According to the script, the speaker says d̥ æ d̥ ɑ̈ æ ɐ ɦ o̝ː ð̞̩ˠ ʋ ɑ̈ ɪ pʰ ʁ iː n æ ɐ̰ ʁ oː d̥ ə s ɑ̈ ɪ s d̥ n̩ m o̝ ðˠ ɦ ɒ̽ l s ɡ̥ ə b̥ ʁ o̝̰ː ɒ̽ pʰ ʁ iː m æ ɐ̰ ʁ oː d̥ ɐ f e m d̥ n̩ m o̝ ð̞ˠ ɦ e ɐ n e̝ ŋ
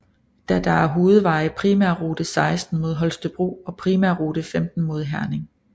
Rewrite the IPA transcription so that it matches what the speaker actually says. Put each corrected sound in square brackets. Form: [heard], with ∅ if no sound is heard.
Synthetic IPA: d̥ æ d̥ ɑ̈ æ ɐ ɦ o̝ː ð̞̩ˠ ʋ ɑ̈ ɪ pʰ ʁ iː [m] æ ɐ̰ ʁ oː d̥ ə s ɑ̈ ɪ s d̥ n̩ m o̝ ðˠ ɦ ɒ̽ l s [d̥] ə b̥ ʁ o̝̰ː ɒ̽ pʰ ʁ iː m æ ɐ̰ ʁ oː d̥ [ə] f e m d̥ n̩ m o̝ ð̞ˠ ɦ [æ] ɐ n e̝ ŋ